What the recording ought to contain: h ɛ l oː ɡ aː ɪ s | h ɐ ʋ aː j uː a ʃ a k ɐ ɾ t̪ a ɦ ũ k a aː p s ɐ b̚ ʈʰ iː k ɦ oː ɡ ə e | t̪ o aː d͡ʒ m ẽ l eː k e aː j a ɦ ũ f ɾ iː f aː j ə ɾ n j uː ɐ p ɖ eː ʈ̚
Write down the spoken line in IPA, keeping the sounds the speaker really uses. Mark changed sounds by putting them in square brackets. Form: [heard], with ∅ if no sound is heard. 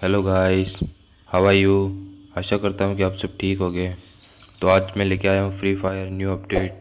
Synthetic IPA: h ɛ l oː ɡ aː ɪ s | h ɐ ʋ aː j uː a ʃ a k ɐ ɾ t̪ a ɦ ũ k [i] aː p s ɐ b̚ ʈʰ iː k ɦ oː ɡ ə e | t̪ o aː d͡ʒ m ẽ l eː k e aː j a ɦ ũ f ɾ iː f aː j ə ɾ n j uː ɐ p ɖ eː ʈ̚